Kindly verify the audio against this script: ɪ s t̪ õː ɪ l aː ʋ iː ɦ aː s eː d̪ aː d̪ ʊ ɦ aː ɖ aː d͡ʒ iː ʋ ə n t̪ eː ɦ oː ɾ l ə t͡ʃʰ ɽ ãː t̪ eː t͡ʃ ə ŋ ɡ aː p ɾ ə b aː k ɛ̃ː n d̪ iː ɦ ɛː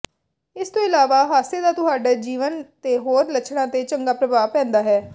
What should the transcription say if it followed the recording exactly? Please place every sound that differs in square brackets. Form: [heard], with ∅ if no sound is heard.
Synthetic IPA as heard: ɪ s t̪ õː ɪ l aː ʋ [aː] ɦ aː s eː d̪ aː [t̪] ʊ ɦ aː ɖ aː d͡ʒ iː ʋ ə n t̪ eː ɦ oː ɾ l ə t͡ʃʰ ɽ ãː t̪ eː t͡ʃ ə ŋ ɡ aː p ɾ ə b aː [p] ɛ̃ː n d̪ [aː] ɦ ɛː